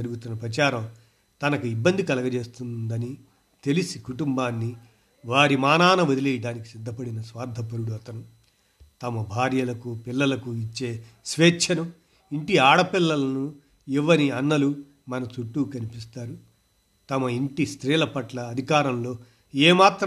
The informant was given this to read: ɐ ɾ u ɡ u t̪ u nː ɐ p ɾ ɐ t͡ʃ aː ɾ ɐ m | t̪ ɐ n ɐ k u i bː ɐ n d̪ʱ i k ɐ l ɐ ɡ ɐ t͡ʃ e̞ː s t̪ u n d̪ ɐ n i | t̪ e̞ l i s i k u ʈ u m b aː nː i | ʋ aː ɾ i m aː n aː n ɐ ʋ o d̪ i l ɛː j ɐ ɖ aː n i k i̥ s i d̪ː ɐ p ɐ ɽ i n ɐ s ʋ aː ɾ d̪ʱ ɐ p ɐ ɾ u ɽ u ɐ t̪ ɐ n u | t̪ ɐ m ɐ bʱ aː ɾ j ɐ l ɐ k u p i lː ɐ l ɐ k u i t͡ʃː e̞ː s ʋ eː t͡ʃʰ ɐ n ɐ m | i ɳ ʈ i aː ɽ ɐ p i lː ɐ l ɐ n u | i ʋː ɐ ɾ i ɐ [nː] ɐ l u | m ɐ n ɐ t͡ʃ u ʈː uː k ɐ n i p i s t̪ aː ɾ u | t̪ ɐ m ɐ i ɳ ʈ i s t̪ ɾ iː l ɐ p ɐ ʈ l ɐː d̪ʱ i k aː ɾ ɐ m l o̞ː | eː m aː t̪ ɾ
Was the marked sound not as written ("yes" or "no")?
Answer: no